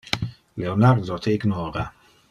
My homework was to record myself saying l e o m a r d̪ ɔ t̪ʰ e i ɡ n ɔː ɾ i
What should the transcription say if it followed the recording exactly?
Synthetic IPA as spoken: l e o n a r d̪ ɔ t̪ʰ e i ɡ n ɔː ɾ a